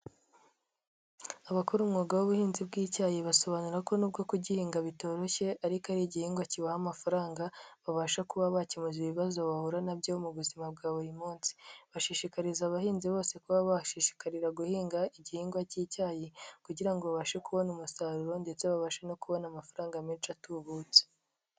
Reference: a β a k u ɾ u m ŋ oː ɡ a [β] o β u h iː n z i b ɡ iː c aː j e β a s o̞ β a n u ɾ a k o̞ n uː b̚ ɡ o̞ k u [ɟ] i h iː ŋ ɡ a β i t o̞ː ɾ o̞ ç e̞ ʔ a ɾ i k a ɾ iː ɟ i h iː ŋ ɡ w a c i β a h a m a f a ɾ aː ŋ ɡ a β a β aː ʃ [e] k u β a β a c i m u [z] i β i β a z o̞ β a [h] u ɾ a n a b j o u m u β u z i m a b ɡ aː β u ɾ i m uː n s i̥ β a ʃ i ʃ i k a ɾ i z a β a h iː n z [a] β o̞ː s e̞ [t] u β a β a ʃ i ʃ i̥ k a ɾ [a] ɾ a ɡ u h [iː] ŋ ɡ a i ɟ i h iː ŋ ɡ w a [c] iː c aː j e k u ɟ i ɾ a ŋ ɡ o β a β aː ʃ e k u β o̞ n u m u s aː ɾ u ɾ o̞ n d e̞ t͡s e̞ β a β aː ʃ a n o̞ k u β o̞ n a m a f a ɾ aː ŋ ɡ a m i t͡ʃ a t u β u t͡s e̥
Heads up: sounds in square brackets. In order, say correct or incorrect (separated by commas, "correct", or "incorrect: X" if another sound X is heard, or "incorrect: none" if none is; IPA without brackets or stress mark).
incorrect: w, correct, incorrect: a, correct, correct, incorrect: i, incorrect: k, incorrect: i, correct, correct